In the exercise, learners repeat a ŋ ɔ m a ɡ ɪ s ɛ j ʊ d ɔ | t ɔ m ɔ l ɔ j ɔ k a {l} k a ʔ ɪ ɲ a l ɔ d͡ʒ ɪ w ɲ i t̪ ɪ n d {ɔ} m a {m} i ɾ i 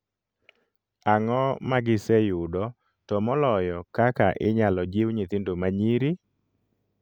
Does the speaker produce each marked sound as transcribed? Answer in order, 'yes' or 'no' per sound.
no, no, no

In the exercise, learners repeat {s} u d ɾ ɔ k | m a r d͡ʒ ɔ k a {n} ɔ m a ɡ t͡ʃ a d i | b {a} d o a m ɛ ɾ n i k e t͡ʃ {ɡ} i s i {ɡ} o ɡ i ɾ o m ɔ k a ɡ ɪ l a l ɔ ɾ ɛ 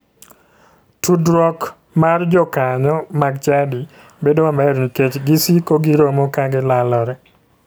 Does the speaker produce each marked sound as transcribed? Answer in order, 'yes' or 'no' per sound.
no, no, no, yes, no

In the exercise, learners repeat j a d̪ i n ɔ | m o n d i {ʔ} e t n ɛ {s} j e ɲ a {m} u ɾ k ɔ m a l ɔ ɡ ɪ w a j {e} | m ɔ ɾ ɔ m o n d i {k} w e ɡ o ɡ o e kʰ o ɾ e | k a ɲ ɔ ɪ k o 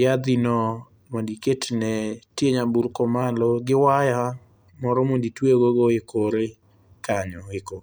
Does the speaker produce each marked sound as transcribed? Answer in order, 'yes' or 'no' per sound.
no, no, no, no, no

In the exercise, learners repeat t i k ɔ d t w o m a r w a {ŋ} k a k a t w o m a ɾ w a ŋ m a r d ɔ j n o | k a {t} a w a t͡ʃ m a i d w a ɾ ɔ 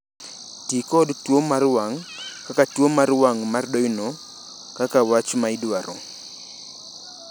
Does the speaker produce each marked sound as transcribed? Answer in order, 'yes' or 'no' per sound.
yes, no

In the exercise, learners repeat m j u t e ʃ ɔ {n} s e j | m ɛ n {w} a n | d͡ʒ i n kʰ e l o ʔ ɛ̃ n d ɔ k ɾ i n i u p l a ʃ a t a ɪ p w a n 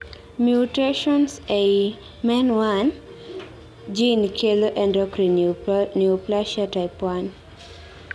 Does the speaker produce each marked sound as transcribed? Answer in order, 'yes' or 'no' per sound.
yes, yes

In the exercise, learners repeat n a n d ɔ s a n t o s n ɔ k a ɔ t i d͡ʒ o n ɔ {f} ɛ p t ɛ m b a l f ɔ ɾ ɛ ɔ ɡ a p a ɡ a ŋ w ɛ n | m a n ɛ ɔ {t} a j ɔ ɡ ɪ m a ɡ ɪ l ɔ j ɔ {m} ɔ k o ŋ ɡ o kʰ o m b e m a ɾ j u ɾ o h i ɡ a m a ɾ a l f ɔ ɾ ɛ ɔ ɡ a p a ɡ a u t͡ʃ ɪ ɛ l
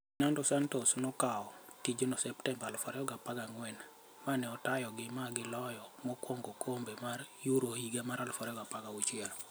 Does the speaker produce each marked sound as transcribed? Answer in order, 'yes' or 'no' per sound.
no, yes, yes

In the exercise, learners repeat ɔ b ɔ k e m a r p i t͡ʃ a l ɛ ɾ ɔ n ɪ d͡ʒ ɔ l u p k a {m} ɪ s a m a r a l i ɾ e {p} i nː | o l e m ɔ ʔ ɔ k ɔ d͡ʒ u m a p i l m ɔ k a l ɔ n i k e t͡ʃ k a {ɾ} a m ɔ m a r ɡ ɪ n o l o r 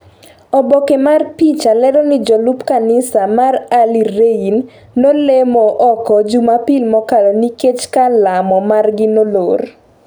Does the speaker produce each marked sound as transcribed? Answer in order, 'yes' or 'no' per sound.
no, no, no

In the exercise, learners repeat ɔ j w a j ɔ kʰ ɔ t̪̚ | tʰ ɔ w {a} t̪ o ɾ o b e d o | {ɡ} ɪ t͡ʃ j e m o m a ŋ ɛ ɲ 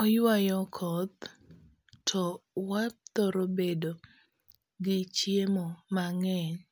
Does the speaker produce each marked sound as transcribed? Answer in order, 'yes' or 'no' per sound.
yes, yes

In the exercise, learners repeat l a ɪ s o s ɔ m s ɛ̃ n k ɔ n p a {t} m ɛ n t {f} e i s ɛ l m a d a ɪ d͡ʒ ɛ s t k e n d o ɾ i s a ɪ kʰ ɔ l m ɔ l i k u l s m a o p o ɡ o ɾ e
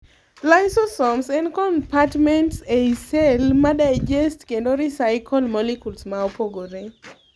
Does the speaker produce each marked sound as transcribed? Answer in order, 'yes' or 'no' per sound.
yes, no

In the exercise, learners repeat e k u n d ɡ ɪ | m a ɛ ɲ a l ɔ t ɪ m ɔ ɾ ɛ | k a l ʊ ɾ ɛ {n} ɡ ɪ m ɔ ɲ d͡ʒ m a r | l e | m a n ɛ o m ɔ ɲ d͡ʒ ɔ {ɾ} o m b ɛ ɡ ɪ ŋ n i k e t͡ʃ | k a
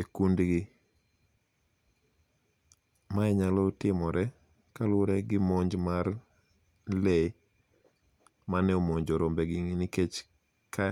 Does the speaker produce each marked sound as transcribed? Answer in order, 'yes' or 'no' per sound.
no, yes

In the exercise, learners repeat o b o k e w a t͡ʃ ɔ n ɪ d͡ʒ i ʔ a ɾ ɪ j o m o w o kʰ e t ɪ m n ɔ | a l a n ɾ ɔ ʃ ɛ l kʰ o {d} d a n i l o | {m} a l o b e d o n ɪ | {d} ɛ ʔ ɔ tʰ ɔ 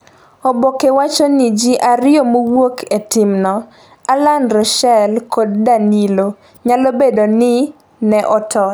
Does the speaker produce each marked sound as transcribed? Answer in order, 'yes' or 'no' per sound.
yes, no, no

